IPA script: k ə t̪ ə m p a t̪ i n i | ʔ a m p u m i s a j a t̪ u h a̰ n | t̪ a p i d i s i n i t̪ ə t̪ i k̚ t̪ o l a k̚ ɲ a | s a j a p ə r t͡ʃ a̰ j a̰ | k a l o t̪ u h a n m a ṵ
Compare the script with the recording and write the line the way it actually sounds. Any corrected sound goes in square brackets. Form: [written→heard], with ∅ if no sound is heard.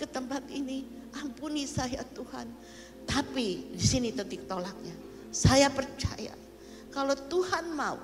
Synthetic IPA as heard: k ə t̪ ə m p a t̪ i n i | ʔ a m p u [m→n] i s a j a t̪ u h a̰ n | t̪ a p i d i s i n i t̪ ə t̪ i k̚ t̪ o l a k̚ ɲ a | s a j a p ə r t͡ʃ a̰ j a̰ | k a l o t̪ u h a n m a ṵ